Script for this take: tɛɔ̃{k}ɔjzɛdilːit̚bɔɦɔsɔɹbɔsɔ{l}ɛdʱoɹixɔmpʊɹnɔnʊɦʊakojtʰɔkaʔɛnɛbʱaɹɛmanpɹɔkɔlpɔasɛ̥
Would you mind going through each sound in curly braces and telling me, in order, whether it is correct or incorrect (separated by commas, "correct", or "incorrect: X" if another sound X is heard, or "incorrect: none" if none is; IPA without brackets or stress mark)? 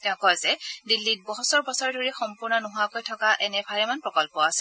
correct, incorrect: ɹ